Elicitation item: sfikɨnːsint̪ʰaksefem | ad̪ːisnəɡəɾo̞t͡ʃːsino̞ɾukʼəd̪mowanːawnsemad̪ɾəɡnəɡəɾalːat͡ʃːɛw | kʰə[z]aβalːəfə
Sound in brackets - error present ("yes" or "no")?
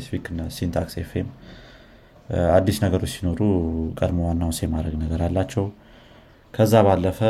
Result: yes